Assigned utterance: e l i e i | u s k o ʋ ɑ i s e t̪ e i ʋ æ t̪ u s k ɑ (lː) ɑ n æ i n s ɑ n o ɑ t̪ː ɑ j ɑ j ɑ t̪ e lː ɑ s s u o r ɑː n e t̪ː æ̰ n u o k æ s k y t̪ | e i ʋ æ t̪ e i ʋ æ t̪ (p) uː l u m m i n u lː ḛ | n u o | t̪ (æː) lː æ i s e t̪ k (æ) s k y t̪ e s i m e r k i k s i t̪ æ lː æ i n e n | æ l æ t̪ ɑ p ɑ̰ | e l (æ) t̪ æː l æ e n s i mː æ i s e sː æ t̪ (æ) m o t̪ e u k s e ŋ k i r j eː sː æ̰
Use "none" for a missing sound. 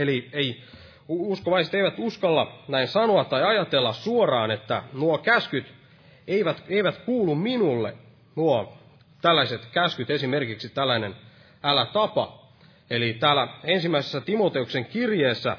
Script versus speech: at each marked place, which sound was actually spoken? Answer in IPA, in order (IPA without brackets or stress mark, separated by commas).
lː, k, æ, æ, i, i